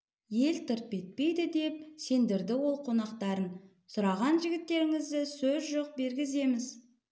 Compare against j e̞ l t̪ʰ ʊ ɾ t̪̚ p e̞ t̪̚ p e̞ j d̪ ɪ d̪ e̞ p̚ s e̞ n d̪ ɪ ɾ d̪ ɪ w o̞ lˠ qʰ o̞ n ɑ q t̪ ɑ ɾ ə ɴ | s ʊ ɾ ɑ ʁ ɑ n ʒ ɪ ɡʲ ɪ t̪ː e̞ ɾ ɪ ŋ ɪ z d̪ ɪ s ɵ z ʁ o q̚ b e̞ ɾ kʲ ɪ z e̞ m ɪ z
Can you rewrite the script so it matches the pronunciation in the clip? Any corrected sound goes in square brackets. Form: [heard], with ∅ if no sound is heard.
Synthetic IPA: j e̞ l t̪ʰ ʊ ɾ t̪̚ p e̞ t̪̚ p e̞ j d̪ ɪ d̪ e̞ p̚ s e̞ n d̪ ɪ ɾ d̪ ɪ w o̞ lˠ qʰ o̞ n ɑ q t̪ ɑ ɾ ə [n] | s ʊ ɾ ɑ ʁ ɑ n ʒ ɪ ɡʲ ɪ t̪ː e̞ ɾ ɪ ŋ ɪ z d̪ ɪ s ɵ z [ʒ] o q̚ b e̞ ɾ [ɡʲ] ɪ z e̞ m ɪ z